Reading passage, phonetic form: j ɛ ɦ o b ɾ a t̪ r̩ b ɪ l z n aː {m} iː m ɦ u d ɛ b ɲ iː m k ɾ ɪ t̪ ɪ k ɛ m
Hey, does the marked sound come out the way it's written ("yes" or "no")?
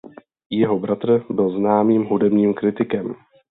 yes